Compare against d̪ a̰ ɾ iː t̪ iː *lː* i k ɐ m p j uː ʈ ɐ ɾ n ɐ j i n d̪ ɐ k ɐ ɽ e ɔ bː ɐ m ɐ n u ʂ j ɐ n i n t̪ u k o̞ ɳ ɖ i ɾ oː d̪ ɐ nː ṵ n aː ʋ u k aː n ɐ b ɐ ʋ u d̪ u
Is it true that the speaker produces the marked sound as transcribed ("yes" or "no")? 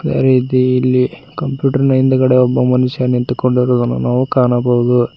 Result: yes